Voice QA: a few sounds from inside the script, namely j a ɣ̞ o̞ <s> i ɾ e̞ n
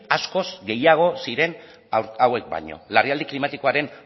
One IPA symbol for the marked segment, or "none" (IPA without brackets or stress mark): s